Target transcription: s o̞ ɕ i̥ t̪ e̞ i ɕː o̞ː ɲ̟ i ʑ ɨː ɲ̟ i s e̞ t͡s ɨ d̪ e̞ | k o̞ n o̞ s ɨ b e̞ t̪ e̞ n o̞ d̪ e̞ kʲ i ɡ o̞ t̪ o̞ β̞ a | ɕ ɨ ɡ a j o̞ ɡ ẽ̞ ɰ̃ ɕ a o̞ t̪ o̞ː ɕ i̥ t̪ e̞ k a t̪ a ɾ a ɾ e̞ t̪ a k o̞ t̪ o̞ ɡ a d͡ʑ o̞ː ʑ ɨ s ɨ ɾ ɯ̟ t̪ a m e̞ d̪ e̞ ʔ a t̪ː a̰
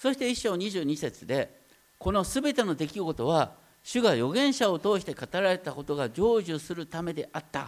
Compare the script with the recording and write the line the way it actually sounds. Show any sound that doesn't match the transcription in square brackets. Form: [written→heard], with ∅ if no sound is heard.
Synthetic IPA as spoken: s o̞ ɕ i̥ t̪ e̞ i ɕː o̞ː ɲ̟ i ʑ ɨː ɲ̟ i s e̞ t͡s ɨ d̪ e̞ | k o̞ n o̞ s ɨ b e̞ t̪ e̞ n o̞ d̪ e̞ kʲ i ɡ o̞ t̪ o̞ β̞ a | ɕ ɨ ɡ a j o̞ ɡ ẽ̞ ɰ̃ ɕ a o̞ t̪ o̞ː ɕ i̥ t̪ e̞ k a t̪ a ɾ a ɾ e̞ t̪ a k o̞ t̪ o̞ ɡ a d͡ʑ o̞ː ʑ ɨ s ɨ ɾ ɯ̟ t̪ a m e̞ d̪ e̞ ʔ a t̪ː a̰